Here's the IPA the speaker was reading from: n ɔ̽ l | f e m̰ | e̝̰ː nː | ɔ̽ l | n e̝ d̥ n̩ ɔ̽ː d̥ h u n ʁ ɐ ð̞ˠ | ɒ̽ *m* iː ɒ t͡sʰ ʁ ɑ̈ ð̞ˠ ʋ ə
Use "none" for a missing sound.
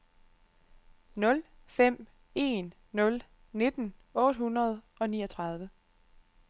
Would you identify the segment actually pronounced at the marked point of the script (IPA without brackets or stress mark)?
n